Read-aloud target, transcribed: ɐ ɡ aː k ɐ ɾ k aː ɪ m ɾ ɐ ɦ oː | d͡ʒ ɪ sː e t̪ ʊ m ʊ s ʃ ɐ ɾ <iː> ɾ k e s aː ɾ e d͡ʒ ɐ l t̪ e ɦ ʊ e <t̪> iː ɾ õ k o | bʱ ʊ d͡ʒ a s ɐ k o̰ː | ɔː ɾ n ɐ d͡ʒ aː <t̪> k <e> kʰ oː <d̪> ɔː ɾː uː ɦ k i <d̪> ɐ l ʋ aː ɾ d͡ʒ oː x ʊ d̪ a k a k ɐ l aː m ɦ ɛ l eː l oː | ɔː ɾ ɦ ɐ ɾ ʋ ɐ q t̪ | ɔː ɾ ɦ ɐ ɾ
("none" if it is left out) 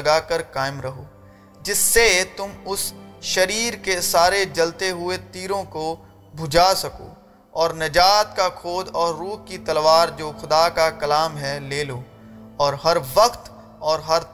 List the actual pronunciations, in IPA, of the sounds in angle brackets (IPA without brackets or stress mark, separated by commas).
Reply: iː, t̪, t̪, a, d̪, t̪